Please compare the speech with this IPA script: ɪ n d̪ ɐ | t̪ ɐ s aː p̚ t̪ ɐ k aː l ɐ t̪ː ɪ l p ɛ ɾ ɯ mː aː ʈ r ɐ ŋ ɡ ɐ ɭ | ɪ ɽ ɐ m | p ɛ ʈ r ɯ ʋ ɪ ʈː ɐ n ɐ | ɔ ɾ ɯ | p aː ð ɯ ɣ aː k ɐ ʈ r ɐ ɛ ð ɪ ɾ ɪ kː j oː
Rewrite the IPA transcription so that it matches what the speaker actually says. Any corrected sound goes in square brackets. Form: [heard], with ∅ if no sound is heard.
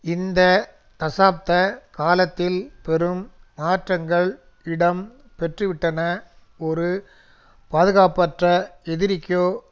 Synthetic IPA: ɪ n d̪ ɐ | t̪ ɐ s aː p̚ t̪ ɐ k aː l ɐ t̪ː ɪ l p ɛ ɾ ɯ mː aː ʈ r ɐ ŋ ɡ ɐ ɭ | ɪ ɽ ɐ m | p ɛ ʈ r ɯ ʋ ɪ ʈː ɐ n ɐ | ɔ ɾ ɯ | p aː ð ɯ ɣ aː [p] ɐ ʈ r ɐ ɛ ð ɪ ɾ ɪ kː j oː